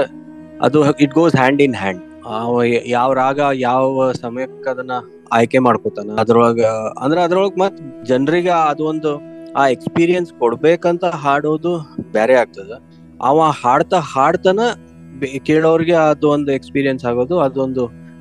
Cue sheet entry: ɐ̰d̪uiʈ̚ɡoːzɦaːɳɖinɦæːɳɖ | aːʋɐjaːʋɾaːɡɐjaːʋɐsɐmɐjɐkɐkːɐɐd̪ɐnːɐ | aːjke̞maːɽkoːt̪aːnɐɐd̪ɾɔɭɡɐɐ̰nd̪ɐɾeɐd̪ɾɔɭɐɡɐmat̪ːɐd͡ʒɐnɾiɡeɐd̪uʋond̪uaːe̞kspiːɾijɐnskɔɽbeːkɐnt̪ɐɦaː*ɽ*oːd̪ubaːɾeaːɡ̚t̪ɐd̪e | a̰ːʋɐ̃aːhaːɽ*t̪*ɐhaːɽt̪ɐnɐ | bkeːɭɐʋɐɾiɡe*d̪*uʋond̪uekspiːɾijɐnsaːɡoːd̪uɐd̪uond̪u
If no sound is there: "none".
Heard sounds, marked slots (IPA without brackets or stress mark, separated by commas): ɽ, t̪, d̪